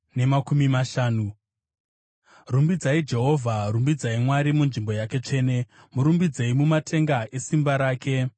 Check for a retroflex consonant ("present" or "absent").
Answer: present